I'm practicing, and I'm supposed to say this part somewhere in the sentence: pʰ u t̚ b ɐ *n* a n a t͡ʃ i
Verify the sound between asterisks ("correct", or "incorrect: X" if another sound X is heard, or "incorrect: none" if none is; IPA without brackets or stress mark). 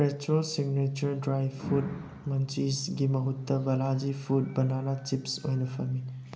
correct